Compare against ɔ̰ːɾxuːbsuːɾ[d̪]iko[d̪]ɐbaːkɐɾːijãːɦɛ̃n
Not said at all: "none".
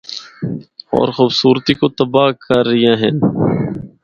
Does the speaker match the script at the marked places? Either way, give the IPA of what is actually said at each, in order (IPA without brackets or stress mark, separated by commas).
t̪, t̪